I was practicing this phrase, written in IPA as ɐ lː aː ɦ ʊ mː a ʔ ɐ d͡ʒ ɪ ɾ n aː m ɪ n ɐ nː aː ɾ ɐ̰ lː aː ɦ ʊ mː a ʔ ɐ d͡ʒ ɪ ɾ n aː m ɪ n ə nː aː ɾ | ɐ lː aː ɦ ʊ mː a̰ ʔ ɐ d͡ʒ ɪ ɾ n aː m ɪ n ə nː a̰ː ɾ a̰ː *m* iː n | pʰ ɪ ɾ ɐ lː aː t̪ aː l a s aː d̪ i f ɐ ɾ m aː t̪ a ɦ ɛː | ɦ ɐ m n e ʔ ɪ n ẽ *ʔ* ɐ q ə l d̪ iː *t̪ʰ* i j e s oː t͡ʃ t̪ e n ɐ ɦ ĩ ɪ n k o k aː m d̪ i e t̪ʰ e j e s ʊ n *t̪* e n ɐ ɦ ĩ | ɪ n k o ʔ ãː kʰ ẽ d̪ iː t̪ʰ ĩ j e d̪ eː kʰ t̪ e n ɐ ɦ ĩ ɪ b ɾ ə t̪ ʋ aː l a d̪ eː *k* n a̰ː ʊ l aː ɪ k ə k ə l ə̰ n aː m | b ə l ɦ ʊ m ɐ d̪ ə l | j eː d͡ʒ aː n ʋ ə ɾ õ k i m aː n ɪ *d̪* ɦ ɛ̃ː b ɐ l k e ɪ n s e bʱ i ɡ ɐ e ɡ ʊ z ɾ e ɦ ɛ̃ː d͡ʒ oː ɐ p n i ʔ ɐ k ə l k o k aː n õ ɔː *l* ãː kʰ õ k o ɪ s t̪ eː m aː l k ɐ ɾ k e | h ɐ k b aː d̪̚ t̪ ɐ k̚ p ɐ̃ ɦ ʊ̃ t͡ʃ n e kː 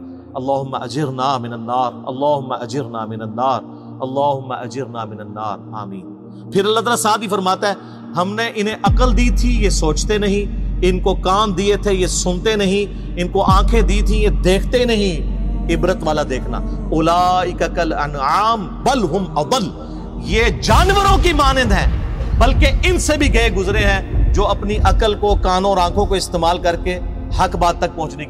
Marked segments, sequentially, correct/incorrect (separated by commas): correct, correct, correct, correct, incorrect, correct, incorrect